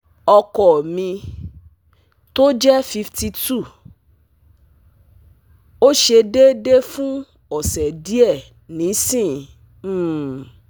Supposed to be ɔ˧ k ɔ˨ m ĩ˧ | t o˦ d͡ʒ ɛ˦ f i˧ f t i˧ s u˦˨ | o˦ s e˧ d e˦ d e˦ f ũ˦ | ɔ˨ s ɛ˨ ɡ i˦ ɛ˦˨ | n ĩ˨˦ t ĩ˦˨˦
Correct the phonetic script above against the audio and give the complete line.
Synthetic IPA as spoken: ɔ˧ k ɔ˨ m ĩ˧ | t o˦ d͡ʒ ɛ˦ f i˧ f t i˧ t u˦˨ | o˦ ʃ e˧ d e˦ d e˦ f ũ˦ | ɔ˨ s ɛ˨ d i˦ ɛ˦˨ | n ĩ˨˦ s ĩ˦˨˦